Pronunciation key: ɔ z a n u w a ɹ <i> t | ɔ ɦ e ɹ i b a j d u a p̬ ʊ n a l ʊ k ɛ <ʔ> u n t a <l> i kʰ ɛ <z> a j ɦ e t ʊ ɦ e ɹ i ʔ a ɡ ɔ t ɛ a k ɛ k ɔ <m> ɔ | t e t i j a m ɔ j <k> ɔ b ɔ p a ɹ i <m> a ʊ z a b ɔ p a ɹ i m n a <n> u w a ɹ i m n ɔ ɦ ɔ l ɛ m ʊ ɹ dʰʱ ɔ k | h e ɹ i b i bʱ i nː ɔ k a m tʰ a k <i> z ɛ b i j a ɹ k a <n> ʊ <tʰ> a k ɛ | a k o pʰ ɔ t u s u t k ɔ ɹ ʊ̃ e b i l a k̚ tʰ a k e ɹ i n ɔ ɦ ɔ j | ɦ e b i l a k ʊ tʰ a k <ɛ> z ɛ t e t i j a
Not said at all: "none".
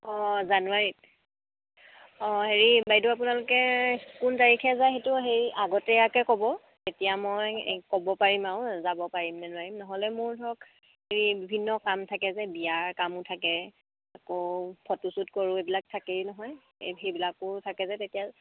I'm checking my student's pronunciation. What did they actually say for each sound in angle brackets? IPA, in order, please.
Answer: i, k, ɹ, z, b, k, m, n, ɛ, m, tʰ, ɛ

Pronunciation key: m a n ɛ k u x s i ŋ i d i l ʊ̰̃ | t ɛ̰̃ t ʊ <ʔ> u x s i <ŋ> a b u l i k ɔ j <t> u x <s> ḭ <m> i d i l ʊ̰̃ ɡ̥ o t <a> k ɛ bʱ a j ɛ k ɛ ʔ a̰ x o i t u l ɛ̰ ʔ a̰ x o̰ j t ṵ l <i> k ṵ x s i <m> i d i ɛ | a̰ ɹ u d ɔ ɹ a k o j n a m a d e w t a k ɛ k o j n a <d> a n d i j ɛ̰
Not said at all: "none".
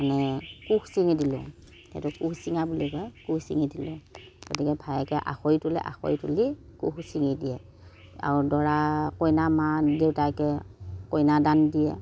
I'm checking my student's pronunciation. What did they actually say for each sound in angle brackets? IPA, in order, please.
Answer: k, ŋ, k, s, ŋ, i, i, ŋ, d

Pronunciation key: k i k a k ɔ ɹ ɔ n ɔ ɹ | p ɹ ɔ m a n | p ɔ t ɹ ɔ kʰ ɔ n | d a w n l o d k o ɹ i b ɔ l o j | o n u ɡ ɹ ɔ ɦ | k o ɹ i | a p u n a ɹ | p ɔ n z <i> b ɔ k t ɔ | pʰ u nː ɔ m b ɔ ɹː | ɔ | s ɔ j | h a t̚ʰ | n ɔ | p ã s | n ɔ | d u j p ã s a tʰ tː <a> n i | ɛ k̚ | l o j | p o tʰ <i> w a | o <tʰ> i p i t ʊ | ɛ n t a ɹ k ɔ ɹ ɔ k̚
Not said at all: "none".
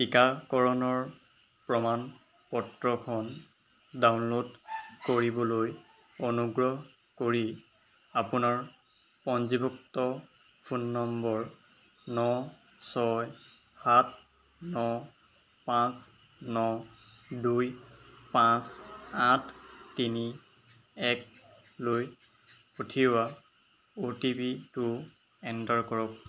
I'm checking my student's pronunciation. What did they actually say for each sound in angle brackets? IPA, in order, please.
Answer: i, i, i, t

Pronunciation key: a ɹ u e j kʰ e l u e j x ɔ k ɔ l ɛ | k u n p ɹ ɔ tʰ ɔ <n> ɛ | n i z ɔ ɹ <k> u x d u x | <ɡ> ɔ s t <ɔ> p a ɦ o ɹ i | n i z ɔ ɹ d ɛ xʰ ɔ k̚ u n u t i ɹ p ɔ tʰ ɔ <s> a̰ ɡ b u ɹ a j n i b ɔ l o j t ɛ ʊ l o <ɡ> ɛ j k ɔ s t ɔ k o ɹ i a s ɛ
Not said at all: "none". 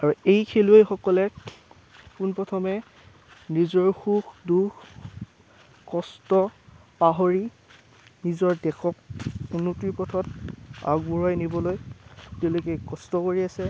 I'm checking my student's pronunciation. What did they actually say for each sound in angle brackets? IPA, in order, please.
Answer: m, x, k, ɔ, t, k

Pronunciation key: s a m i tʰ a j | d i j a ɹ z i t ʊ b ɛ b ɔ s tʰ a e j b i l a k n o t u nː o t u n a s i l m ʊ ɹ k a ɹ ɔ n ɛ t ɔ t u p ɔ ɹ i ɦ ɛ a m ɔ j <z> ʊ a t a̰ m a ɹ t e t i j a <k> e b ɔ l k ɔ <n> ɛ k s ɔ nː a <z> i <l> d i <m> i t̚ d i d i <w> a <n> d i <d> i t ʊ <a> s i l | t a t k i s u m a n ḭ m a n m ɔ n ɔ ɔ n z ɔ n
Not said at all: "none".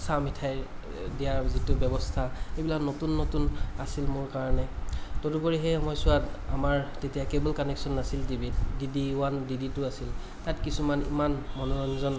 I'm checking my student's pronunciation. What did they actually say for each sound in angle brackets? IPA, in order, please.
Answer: s, k, n, s, l, b, w, n, d, a

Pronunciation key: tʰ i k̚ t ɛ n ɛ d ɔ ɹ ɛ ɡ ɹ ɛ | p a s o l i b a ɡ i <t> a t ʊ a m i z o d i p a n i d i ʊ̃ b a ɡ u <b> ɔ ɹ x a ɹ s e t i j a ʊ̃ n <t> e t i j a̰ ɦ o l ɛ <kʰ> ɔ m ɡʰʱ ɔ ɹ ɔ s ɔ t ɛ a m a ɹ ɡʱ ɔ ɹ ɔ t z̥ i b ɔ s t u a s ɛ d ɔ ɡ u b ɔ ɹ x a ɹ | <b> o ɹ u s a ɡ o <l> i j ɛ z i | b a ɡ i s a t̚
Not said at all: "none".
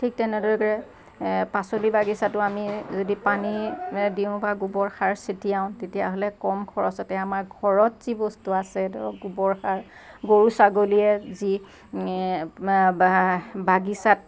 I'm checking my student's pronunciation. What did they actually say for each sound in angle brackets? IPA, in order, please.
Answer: s, b, t, k, ɡ, l

